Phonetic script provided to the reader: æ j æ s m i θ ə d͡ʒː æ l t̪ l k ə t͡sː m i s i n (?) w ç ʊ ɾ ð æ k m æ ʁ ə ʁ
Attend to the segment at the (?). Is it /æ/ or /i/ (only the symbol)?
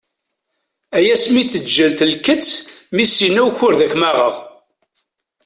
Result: æ